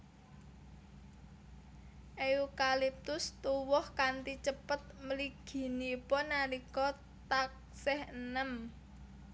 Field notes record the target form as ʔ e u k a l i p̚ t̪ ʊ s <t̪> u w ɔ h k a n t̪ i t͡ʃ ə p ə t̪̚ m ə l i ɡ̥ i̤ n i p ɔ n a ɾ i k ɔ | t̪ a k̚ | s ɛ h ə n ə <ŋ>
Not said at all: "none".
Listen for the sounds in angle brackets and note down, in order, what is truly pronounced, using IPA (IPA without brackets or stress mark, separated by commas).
t̪, m